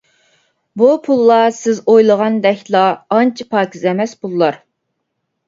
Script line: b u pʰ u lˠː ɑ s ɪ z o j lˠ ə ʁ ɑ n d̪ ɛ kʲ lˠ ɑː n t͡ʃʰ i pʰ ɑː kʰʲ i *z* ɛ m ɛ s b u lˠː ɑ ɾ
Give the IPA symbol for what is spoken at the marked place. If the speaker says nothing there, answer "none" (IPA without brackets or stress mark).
z